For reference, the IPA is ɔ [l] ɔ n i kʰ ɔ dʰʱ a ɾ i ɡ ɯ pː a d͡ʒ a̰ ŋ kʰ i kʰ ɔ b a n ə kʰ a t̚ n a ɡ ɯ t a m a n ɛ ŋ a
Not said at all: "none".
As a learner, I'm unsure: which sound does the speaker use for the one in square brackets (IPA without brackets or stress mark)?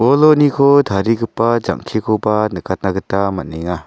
l